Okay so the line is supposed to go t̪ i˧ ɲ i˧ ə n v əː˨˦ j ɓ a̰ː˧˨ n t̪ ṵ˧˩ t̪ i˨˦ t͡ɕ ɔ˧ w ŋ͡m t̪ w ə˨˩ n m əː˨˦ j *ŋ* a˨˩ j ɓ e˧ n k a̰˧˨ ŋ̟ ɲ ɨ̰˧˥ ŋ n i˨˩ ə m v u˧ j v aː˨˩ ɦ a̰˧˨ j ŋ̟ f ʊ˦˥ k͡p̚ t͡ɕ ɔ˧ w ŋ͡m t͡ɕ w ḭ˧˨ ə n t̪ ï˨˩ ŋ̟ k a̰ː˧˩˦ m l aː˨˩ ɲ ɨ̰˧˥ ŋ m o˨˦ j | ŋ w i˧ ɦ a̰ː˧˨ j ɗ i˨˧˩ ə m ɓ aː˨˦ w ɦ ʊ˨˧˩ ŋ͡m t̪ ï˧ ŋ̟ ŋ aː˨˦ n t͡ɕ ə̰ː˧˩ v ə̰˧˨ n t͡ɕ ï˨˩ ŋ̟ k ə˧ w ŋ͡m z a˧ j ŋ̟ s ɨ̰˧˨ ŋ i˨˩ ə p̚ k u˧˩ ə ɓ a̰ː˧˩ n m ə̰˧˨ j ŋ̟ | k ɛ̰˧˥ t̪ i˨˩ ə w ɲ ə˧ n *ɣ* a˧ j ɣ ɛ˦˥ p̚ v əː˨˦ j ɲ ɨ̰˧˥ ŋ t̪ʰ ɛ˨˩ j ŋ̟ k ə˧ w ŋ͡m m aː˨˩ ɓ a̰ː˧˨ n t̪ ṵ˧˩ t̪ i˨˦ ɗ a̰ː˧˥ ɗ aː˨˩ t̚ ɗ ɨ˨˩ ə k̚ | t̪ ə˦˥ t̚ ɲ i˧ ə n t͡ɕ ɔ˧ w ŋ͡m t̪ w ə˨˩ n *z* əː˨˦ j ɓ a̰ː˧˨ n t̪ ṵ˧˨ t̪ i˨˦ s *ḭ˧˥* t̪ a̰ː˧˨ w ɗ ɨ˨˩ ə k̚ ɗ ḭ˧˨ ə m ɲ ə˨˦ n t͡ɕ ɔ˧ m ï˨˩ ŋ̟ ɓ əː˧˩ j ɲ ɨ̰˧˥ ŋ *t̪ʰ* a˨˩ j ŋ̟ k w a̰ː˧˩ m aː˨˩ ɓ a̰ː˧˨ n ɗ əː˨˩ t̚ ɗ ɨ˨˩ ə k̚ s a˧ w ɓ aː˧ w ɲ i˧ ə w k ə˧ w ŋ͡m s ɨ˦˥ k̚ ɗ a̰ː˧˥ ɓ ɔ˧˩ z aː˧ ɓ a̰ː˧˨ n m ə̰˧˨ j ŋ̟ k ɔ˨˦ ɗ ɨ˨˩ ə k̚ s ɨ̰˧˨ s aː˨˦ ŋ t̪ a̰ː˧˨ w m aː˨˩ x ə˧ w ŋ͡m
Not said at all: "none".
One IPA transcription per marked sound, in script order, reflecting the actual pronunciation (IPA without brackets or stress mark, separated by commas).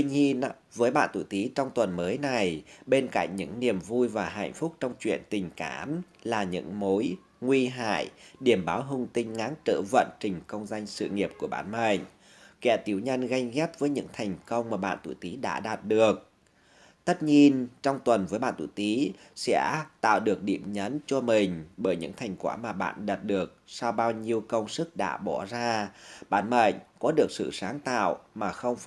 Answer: n, ɣ, v, ɛ̰˧˥, t̪ʰ